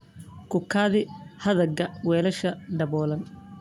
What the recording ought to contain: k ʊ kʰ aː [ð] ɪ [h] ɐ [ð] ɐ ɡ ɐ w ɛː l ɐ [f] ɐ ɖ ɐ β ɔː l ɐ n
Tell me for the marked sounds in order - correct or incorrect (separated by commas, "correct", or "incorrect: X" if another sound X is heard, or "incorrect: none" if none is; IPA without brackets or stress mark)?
correct, correct, correct, incorrect: ʃ